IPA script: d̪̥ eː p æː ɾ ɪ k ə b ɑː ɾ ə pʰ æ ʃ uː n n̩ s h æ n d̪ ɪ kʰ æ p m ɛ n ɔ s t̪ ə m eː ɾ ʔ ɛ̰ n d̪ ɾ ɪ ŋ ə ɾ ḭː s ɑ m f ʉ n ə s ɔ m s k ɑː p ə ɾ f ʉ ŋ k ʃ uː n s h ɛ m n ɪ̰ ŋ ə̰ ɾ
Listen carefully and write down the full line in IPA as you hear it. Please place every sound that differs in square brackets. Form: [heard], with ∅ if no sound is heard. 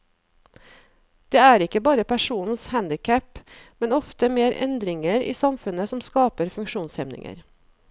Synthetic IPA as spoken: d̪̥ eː [∅] æː ɾ ɪ k ə b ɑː ɾ ə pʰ æ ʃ uː n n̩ s h æ n d̪ ɪ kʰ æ p m ɛ n ɔ [f] t̪ ə m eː ɾ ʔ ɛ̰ n d̪ ɾ ɪ ŋ ə ɾ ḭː s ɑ m f ʉ n ə s ɔ m s k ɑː p ə ɾ f ʉ ŋ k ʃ uː n s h ɛ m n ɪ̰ ŋ ə̰ ɾ